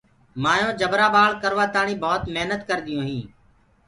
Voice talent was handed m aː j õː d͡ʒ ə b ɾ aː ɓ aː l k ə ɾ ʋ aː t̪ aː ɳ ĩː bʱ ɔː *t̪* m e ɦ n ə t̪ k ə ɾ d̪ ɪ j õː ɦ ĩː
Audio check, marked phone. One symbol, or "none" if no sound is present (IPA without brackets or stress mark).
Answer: t̪